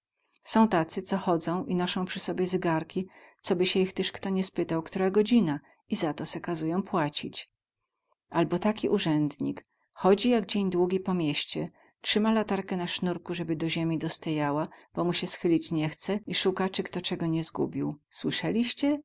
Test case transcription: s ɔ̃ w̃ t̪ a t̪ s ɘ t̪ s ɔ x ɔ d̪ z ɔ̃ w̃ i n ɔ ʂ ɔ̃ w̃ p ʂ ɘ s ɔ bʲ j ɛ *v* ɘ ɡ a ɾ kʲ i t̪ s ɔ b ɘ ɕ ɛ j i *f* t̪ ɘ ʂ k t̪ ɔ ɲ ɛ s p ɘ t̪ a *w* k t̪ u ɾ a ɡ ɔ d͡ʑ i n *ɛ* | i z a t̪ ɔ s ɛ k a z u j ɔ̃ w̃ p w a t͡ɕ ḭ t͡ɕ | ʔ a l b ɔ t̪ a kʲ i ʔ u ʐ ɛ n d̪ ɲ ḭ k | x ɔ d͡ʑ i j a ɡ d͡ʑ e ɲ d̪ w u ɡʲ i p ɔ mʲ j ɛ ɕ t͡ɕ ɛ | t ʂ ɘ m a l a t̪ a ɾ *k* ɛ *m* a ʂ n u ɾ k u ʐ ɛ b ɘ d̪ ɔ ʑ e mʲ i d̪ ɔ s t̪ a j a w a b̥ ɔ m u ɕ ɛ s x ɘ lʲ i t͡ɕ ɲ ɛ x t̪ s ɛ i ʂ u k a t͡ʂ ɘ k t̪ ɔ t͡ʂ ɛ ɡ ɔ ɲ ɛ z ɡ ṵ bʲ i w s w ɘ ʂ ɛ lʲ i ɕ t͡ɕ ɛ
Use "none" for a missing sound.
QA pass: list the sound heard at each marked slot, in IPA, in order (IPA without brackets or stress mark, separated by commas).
z, x, w, a, k, n